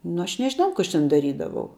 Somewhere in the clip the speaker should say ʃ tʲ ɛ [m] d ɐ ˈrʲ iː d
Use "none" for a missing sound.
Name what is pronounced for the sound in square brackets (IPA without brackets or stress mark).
n